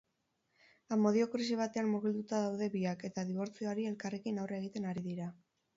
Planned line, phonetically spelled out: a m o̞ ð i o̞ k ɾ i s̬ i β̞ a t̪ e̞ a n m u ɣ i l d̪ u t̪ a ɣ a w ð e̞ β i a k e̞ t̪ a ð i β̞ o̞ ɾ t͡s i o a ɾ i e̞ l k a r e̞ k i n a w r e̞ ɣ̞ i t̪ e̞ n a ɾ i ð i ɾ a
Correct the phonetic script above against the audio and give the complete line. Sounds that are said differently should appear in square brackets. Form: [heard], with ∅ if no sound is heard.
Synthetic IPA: a m o̞ ð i o̞ k ɾ i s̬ i β̞ a t̪ e̞ a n m u ɣ i l d̪ u t̪ a [ð] a w ð e̞ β i a k e̞ t̪ a ð i β̞ o̞ ɾ t͡s i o a ɾ i e̞ l k a r e̞ k i n a w r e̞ ɣ̞ i t̪ e̞ n a ɾ i ð i ɾ a